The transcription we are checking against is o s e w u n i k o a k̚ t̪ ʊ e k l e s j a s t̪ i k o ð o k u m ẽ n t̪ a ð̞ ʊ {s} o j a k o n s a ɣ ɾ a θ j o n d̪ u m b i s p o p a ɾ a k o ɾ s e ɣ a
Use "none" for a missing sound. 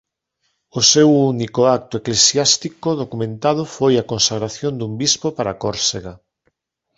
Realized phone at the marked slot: f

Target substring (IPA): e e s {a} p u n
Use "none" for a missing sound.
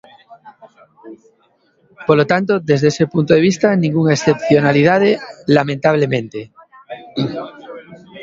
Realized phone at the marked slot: e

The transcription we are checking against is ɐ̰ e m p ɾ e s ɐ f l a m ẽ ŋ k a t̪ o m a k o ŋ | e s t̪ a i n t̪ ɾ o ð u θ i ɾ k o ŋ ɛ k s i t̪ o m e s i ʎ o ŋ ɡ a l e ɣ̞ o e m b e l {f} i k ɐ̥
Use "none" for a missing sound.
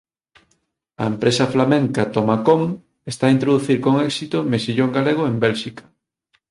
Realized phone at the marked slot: ʃ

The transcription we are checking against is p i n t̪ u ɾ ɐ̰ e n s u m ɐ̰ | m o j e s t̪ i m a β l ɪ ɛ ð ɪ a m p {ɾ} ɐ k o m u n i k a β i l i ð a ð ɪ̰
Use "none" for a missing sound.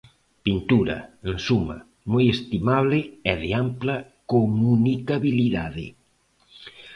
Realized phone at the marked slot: l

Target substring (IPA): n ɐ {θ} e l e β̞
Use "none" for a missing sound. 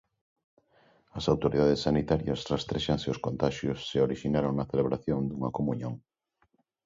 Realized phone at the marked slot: θ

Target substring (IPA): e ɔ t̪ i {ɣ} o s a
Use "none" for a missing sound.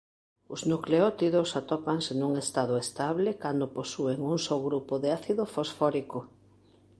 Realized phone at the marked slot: ð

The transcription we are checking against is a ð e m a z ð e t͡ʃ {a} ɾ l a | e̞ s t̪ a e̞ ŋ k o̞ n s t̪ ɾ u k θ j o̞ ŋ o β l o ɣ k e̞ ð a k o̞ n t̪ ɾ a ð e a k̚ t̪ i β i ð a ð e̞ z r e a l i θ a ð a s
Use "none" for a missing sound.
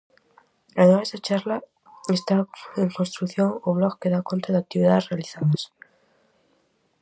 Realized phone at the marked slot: a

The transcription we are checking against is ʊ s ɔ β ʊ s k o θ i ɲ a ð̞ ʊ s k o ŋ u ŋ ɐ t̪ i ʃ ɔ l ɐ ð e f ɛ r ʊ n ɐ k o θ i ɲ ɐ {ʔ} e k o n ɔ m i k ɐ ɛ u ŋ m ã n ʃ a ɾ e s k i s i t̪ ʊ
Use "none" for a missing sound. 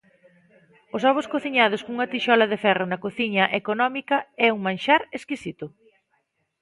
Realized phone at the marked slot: ʔ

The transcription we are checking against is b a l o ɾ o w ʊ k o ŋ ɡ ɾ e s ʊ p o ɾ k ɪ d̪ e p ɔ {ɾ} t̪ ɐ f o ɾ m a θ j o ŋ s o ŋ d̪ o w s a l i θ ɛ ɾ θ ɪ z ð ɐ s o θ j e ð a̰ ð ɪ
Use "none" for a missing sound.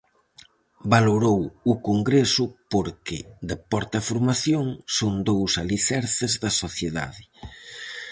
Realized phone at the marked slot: ɾ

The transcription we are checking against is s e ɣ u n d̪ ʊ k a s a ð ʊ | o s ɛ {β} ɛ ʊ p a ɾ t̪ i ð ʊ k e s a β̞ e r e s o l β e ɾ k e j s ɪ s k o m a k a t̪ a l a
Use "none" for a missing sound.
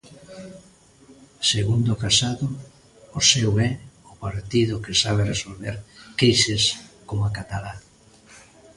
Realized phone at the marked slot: w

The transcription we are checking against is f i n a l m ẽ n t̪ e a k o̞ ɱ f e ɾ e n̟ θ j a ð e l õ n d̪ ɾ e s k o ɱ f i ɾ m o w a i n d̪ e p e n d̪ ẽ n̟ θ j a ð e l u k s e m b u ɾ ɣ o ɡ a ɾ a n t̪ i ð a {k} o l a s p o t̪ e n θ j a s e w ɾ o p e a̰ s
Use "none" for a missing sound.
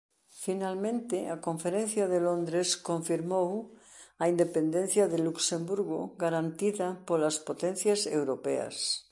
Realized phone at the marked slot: p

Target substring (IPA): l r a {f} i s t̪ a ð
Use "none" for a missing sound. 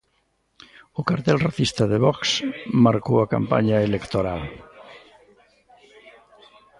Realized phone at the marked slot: θ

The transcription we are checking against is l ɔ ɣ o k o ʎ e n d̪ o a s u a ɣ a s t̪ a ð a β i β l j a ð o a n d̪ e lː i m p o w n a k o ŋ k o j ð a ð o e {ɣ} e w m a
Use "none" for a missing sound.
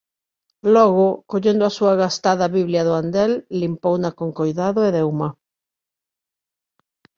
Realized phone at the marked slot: ð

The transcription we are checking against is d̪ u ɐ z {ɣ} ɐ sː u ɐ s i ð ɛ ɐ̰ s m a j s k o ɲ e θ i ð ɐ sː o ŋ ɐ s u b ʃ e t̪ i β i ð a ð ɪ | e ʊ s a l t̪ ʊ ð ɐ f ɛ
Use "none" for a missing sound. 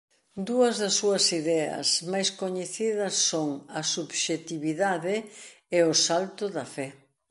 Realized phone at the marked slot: ð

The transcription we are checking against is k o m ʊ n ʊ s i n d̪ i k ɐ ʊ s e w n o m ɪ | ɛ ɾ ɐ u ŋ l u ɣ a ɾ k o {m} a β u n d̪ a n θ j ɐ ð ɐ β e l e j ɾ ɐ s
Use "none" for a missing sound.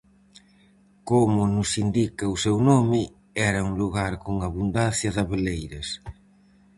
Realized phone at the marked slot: ŋ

